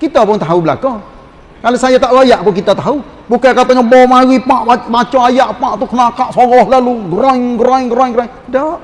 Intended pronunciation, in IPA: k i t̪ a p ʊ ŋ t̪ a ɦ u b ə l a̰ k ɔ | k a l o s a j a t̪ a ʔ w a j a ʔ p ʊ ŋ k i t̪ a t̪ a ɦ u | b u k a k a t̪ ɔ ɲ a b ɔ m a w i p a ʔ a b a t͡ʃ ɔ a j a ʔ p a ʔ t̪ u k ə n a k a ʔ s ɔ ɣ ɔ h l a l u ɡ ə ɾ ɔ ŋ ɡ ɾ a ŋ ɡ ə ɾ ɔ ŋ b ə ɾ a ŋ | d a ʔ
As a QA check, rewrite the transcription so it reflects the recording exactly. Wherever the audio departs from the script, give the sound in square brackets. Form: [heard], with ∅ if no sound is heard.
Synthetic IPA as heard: k i t̪ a p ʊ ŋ t̪ a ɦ u b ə l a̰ k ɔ | k a l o s a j a t̪ a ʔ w a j a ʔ p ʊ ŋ k i t̪ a t̪ a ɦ u | b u k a k a t̪ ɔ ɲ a b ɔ m a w i p a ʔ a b a t͡ʃ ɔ a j a ʔ p a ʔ t̪ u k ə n a k a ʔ s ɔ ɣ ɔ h l a l u ɡ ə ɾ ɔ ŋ ɡ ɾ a ŋ ɡ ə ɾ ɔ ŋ [ɡ] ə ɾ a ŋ | d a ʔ